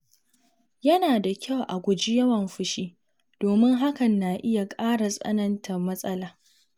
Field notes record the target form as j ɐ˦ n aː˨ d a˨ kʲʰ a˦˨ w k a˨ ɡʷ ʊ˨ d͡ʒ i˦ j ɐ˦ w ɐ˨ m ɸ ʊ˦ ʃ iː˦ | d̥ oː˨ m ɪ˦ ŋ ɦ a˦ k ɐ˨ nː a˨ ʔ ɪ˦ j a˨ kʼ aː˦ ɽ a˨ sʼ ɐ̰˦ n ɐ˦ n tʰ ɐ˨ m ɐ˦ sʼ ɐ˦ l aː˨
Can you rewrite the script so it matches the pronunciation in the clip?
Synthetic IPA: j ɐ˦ n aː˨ d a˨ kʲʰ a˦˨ w ʔ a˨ ɡʷ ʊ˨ d͡ʒ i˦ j ɐ˦ w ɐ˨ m ɸ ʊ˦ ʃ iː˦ | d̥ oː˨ m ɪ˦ ŋ ɦ a˦ k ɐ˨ nː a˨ ʔ ɪ˦ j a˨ kʼ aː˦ ɽ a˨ sʼ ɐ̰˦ n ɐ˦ n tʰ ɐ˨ m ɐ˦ sʼ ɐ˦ l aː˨